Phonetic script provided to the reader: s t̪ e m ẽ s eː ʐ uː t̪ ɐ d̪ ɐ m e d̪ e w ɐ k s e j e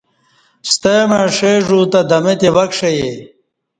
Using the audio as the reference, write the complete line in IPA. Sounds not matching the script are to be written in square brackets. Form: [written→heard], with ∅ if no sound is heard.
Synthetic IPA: s t̪ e m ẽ [s→ʂ] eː ʐ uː t̪ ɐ d̪ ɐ m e [d̪→t̪] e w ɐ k [s→ʂ] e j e